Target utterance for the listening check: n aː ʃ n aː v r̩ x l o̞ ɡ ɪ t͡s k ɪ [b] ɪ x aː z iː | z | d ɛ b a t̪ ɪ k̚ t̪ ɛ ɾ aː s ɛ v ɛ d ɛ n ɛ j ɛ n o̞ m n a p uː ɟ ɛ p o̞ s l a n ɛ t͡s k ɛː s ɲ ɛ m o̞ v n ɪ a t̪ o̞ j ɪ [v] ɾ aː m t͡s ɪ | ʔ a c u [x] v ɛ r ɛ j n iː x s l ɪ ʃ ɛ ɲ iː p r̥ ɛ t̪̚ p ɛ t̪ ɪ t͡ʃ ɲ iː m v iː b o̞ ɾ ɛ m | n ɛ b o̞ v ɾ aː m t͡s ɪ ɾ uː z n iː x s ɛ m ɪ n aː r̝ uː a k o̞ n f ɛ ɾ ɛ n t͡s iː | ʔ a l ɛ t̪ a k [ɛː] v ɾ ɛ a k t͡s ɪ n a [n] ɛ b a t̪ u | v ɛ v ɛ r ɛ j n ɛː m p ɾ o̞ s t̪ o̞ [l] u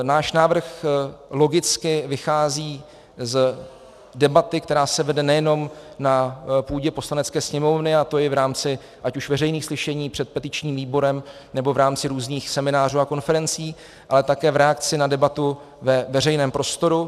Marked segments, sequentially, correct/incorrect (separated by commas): incorrect, correct, incorrect, correct, incorrect, incorrect